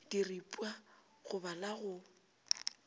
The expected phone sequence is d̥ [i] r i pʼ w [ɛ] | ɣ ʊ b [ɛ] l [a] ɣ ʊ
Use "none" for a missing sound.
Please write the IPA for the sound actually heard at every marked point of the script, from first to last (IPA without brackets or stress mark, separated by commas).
i, a, a, a